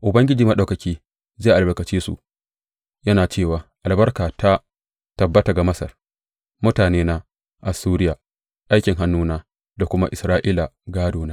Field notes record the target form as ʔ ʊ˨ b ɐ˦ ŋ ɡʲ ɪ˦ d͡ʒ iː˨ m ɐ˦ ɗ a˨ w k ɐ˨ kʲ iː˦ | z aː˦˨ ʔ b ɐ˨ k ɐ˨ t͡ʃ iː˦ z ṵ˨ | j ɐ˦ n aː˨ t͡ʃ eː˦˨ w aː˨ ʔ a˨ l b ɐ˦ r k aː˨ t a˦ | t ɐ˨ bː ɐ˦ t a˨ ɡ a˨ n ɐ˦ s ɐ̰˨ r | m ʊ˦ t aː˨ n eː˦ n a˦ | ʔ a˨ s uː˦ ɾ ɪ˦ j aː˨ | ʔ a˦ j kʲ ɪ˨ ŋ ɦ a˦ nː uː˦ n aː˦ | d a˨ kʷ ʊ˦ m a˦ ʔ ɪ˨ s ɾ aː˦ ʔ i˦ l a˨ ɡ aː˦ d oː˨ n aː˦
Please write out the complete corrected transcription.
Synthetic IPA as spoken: ʔ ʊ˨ b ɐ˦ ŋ ɡʲ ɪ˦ d͡ʒ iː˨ m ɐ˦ ɗ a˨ w k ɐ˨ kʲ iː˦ | z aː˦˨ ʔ b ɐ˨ k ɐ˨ t͡ʃ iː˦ s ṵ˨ | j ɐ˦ n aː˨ t͡ʃ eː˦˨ w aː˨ ʔ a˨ l b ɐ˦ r k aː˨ t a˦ | t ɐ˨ bː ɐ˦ t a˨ ɡ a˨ m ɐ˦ s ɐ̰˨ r | m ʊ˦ t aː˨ n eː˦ n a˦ | ʔ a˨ s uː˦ ɾ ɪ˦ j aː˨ | ʔ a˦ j kʲ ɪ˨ ŋ ɦ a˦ nː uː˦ n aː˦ | d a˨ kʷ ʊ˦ m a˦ ʔ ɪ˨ s ɾ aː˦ ʔ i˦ l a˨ ɡ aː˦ d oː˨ n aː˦

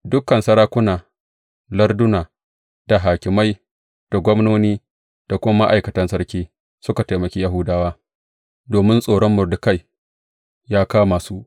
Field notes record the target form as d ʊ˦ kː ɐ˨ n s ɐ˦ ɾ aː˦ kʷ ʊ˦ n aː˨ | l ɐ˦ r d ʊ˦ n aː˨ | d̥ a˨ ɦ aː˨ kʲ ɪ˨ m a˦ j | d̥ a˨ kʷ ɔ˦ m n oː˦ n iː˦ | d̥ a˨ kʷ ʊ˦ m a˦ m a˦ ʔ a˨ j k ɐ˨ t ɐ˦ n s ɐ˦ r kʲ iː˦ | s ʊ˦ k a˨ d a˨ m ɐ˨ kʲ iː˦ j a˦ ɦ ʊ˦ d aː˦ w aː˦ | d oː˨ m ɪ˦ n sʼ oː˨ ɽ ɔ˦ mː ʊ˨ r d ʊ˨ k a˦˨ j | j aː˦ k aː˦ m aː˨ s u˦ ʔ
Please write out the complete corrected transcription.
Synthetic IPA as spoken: d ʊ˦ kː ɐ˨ n s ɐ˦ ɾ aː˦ kʷ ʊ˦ n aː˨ | l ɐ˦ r d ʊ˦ n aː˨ | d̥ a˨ ɦ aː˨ kʲ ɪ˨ m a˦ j | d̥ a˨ ɡʷ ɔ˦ m n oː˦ n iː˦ | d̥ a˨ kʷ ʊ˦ m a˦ m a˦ ʔ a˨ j k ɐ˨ t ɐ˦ n s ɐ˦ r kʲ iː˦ | s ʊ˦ k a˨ t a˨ m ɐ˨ kʲ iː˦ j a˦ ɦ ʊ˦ d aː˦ w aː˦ | d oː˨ m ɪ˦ n sʼ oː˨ ɽ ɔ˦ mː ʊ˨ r d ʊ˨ k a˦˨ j | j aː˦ k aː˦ m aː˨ s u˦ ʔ

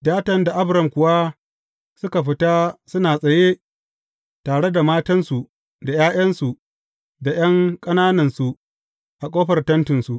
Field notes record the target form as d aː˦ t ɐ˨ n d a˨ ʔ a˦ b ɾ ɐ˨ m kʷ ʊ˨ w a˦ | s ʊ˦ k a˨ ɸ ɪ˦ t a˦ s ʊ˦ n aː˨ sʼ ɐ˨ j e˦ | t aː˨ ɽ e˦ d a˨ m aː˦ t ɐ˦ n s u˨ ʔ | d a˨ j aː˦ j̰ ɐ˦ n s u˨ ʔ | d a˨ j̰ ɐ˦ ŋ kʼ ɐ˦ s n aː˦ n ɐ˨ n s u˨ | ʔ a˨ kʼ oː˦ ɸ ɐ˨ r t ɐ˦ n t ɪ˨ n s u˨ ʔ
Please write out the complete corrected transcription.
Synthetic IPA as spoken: d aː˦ t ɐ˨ n d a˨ ʔ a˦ b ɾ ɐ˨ m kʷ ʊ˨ w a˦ | s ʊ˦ k a˨ ɸ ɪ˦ t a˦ s ʊ˦ n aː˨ sʼ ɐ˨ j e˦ | t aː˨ ɽ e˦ d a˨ m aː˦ t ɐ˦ n s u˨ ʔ | d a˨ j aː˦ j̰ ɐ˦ n s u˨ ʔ | d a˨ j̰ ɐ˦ ŋ kʼ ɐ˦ n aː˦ n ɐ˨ n s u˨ | ʔ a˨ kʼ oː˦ ɸ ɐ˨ r t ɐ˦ n t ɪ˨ n s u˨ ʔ

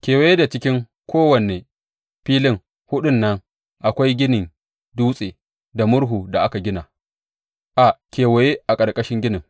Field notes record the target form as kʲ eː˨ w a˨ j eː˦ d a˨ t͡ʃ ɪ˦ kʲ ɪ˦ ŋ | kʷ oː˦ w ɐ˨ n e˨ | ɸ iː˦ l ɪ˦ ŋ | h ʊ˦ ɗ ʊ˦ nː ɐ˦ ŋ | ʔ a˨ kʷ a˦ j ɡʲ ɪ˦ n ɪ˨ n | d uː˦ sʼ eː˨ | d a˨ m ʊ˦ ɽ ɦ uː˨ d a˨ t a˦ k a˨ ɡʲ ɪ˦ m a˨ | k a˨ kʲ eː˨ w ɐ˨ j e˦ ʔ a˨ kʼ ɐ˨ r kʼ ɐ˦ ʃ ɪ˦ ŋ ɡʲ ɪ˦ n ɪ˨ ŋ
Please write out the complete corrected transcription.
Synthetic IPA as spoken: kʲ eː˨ w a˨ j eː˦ d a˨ t͡ʃ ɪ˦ kʲ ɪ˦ ŋ | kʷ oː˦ w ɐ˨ n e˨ | ɸ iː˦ l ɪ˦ ŋ | h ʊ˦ ɗ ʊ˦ nː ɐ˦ ŋ | ʔ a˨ kʷ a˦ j ɡʲ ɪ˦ n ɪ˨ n | d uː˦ sʼ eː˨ | d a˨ m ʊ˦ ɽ ɦ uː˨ d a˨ ʔ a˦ k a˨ ɡʲ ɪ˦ n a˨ | ʔ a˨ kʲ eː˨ w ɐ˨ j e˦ ʔ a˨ kʼ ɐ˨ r kʼ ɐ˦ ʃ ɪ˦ ŋ ɡʲ ɪ˦ n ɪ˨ ŋ

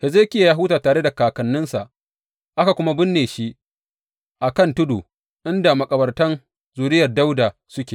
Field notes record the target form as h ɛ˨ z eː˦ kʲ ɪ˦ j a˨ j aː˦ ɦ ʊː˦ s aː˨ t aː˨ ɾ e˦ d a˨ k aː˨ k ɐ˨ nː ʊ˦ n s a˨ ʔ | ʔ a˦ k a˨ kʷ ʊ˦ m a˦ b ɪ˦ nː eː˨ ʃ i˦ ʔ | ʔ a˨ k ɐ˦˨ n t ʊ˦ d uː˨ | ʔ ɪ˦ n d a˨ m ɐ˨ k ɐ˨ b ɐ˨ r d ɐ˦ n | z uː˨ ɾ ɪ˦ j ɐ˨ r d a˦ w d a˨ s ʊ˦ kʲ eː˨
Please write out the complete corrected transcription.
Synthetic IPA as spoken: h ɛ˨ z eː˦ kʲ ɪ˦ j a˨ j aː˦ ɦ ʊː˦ t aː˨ t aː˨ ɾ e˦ d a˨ k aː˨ k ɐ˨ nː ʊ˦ n s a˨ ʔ | ʔ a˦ k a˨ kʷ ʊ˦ m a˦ b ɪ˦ nː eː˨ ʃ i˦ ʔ | ʔ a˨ k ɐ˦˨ n t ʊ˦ d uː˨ | ʔ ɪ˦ n d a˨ m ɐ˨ kʼ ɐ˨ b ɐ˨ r t ɐ˦ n | z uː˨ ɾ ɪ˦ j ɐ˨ r d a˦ w d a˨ s ʊ˦ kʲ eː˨

